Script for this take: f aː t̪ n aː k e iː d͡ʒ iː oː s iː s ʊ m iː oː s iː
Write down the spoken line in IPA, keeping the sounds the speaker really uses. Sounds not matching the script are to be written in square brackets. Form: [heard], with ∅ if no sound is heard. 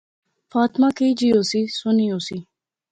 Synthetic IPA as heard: f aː t̪ [m] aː k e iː d͡ʒ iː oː s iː s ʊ [n] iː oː s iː